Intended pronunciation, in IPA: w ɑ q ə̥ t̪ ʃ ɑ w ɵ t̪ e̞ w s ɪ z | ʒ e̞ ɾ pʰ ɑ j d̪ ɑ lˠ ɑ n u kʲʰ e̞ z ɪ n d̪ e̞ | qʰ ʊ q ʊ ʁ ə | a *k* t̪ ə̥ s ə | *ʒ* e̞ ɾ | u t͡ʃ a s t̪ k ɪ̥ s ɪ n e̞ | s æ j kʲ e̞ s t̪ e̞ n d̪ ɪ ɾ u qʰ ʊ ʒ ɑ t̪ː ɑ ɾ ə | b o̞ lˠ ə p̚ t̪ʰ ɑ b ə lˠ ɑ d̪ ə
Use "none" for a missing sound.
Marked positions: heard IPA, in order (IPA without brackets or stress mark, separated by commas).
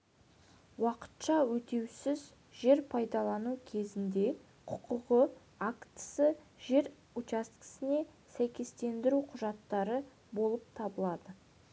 k, ʒ